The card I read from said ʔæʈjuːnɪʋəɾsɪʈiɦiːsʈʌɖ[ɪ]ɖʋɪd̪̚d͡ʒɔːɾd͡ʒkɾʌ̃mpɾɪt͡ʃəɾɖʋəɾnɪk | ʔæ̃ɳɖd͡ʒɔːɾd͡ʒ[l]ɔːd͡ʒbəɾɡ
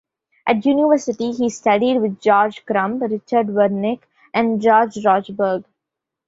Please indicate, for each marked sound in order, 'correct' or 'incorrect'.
incorrect, incorrect

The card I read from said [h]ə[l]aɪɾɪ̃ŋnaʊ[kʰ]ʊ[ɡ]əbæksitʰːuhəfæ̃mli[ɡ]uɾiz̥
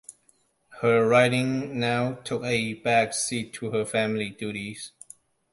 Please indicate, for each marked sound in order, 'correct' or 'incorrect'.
correct, incorrect, incorrect, incorrect, incorrect

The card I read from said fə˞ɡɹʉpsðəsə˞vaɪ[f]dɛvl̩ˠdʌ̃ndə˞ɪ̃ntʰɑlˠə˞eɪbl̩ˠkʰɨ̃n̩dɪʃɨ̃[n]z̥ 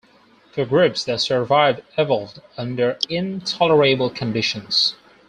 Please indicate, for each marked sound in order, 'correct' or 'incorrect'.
incorrect, correct

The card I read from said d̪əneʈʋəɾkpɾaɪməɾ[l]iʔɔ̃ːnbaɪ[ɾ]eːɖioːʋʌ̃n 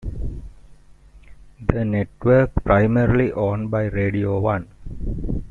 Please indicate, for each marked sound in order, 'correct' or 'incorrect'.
correct, correct

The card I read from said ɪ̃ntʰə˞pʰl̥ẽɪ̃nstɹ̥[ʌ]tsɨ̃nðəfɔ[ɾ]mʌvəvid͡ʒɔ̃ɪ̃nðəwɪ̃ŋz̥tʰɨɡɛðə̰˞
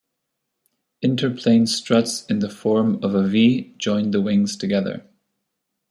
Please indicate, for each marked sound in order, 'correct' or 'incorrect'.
correct, incorrect

